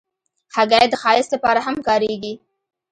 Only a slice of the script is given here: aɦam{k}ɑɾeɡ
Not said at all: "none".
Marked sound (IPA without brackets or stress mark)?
k